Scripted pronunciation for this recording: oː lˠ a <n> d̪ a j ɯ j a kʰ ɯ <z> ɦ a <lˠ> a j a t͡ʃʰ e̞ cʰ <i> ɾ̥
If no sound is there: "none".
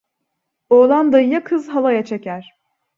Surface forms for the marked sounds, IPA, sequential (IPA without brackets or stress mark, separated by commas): n, z, lˠ, æ